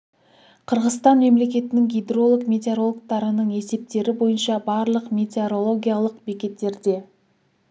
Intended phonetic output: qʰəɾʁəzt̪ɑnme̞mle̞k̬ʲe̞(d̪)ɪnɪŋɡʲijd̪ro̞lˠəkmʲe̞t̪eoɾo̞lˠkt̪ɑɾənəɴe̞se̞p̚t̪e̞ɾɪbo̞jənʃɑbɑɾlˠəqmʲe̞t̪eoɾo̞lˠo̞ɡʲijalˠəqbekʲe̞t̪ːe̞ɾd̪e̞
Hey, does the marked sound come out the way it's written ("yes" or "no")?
no